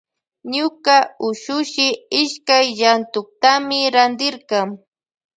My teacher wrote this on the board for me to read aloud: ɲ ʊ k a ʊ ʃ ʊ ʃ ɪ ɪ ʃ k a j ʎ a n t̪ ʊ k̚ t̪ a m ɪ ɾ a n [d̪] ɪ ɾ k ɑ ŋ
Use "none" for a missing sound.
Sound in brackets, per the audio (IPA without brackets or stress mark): d̪